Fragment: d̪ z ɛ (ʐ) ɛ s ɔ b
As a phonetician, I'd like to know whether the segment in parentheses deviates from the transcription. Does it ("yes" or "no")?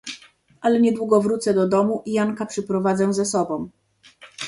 yes